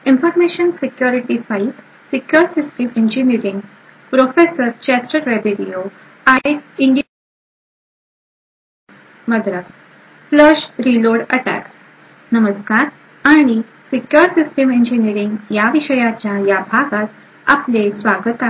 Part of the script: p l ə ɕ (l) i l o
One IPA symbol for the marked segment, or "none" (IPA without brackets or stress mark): ɾ